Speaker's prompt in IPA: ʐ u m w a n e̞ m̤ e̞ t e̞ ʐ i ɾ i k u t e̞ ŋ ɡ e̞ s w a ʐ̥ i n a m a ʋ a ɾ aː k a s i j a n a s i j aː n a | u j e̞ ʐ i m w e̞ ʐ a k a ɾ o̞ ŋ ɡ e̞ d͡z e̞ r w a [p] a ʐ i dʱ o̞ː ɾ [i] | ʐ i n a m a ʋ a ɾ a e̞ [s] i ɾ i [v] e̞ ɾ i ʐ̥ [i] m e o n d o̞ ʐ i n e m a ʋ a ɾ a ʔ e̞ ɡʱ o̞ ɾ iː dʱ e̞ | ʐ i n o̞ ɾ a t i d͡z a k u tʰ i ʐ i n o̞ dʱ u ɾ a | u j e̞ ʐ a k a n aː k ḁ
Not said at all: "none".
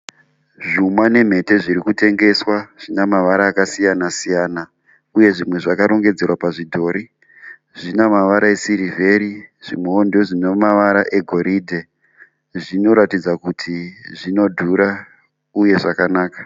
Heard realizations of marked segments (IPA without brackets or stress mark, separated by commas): p, i, s, v, i